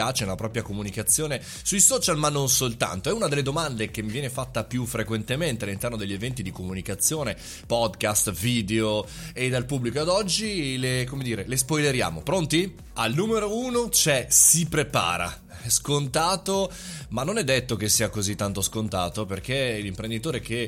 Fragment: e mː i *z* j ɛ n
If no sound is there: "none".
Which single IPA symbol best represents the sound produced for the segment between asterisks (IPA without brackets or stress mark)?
v